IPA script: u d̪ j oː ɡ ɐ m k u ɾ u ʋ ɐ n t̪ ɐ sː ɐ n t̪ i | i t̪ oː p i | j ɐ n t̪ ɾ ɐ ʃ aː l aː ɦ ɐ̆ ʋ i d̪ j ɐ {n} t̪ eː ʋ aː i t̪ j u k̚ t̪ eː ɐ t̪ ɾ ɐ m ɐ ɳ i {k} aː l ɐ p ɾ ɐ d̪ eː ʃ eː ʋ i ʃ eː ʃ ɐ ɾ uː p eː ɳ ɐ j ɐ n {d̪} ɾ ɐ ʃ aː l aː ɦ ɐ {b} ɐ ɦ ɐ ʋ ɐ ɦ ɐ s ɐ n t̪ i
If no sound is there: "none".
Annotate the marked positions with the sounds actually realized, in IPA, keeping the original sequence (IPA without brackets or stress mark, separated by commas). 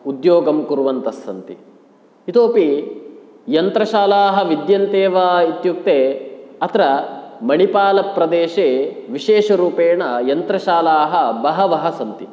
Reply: n, p, t̪, b